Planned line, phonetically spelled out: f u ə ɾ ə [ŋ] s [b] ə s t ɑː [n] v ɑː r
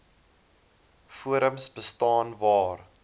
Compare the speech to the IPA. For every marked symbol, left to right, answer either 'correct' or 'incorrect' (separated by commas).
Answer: incorrect, correct, correct